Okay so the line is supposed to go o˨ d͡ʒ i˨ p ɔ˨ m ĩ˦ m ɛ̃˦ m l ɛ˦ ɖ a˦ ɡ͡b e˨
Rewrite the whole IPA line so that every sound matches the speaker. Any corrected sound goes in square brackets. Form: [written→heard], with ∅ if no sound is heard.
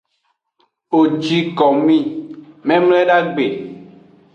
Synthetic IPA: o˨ d͡ʒ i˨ [p→k] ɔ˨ m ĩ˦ m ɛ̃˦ m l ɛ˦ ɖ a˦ ɡ͡b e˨